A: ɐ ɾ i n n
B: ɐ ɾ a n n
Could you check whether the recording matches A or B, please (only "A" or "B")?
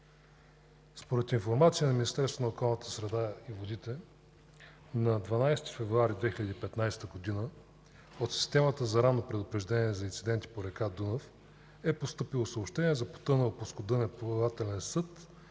B